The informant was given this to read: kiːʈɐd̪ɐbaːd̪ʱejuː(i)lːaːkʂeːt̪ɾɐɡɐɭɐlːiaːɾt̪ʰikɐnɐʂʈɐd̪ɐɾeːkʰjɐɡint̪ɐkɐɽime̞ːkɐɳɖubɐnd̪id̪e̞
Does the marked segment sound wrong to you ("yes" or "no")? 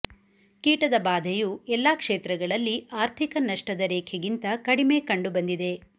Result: yes